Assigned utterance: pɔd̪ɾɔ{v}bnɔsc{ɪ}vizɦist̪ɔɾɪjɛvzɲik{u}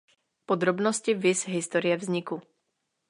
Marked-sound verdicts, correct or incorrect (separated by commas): incorrect, incorrect, correct